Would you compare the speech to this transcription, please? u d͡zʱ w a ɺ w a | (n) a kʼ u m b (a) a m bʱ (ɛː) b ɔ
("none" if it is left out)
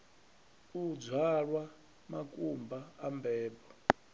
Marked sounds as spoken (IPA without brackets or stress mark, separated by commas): m, a, ɛː